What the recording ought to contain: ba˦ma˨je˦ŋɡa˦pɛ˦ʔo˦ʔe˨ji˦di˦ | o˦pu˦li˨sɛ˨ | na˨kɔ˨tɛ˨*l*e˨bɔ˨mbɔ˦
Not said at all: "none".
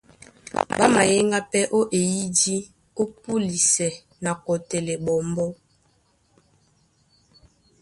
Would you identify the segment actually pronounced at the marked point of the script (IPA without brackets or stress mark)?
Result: l